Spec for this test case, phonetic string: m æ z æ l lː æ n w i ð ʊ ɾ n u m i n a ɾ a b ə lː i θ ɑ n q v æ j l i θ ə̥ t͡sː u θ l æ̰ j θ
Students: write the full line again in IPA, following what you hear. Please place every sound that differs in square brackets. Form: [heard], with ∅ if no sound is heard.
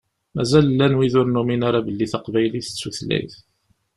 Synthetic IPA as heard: m æ z æ l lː æ n w i ð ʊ ɾ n u m i n a ɾ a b ə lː i θ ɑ [∅] q v æ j l i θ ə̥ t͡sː u θ l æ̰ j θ